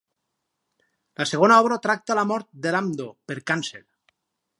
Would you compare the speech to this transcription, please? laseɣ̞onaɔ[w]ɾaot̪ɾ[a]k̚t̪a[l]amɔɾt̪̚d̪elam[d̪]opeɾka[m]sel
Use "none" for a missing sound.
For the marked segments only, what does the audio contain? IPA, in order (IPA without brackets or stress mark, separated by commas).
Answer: β, a, l, d̪, n